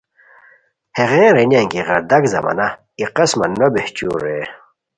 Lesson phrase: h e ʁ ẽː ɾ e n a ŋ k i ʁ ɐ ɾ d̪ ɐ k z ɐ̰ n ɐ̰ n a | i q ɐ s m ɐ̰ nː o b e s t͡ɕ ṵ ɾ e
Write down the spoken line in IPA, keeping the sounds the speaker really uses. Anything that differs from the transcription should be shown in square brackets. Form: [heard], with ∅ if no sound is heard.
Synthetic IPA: h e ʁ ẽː ɾ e n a ŋ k i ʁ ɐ ɾ d̪ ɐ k z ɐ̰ [m] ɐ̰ n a | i q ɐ s m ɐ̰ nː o b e [h] t͡ɕ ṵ ɾ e